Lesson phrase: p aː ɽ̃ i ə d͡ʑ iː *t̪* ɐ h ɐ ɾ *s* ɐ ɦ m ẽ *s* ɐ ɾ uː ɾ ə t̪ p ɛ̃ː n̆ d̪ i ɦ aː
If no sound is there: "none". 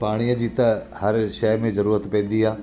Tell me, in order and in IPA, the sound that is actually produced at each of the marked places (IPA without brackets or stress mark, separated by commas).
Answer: t̪, ʃ, z